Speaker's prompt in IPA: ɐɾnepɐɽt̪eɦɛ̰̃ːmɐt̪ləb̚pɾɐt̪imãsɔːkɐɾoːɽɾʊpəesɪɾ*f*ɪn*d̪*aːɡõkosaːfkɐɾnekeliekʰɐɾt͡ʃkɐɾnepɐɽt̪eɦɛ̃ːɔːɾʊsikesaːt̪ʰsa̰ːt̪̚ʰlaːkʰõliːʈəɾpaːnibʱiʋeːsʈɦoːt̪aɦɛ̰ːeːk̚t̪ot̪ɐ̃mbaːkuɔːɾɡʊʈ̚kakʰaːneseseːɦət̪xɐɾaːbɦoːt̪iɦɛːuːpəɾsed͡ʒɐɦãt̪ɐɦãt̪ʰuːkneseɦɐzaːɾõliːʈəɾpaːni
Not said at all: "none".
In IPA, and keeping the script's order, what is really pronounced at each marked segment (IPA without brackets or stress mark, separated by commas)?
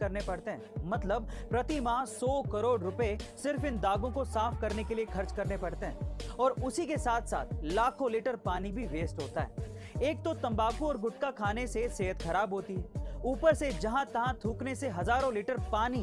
f, d̪